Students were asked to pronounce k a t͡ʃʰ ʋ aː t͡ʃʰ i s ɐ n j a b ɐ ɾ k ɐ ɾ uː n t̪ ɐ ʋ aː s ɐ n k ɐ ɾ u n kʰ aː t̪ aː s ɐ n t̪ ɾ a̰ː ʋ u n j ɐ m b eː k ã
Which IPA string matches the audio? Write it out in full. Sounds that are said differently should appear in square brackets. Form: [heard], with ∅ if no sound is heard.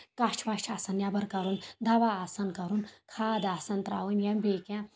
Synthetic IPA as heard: k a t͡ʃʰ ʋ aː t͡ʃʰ [a] s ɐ n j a b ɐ ɾ k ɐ ɾ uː n [d̪] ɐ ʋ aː s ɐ n k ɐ ɾ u n kʰ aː [d̪] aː s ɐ n t̪ ɾ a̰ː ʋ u n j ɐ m b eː k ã